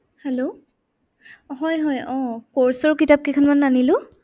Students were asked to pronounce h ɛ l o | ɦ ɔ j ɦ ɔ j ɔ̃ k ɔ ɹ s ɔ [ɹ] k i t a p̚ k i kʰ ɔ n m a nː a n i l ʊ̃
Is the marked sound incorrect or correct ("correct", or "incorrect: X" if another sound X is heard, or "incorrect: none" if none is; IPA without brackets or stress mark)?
correct